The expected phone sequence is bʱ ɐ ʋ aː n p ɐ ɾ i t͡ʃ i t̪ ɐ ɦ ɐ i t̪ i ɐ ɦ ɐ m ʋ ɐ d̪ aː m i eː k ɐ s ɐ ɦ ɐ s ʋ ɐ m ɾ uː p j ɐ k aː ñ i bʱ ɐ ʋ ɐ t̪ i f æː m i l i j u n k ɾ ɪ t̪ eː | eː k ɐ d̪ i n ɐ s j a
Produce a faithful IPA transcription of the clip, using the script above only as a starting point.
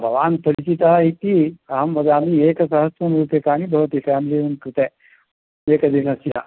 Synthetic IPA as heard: bʱ ɐ ʋ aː n p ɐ ɾ i t͡ʃ i t̪ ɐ ɦ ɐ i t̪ i ɐ ɦ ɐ m ʋ ɐ d̪ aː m i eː k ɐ s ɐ ɦ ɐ s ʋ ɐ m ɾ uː p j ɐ k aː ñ i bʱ ɐ ʋ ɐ t̪ i f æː m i l i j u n k ɾ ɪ t̪ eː | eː k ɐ d̪ i n ɐ s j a